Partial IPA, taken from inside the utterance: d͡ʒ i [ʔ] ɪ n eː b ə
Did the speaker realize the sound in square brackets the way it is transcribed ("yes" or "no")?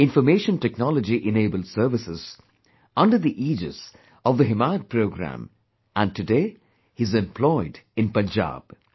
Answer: yes